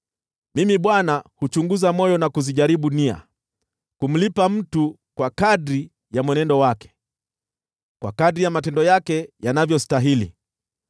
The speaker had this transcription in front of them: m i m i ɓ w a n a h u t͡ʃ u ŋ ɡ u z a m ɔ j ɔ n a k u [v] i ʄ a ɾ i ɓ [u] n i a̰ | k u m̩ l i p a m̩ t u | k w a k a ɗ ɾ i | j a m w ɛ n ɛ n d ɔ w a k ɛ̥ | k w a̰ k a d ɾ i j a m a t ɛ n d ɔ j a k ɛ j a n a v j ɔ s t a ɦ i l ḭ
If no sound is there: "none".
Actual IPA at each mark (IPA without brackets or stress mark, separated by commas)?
z, u